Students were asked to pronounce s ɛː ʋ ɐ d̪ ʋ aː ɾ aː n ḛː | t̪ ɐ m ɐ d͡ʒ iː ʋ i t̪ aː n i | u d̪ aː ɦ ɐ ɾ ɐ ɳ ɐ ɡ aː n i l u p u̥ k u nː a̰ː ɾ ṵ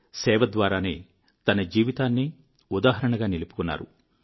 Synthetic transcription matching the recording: s ɛː ʋ ɐ d̪ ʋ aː ɾ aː n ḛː | t̪ ɐ n ɐ d͡ʒ iː ʋ i t̪ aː nː i | u d̪ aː ɦ ɐ ɾ ɐ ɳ ɐ ɡ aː n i l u p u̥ k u nː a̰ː ɾ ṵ